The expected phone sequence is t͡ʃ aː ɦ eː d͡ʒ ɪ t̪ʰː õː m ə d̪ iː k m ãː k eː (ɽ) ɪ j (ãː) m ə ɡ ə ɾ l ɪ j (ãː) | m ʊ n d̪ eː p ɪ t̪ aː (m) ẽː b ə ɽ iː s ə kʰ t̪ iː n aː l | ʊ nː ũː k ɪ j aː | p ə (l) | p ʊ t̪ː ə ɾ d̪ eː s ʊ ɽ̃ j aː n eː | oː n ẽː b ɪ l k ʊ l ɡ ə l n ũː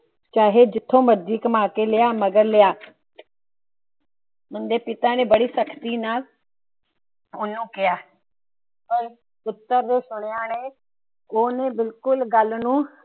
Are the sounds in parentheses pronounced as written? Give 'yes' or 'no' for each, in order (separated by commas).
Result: no, no, no, no, no